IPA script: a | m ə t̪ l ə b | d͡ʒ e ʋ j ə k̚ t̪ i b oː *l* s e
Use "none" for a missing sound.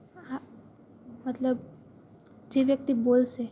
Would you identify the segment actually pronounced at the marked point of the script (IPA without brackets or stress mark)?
l